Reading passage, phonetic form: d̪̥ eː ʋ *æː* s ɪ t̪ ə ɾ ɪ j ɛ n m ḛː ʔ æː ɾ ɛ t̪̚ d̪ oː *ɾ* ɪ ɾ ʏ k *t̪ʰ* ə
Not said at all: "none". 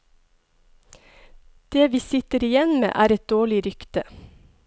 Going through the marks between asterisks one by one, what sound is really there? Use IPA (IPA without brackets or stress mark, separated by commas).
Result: iː, ɭ, t̪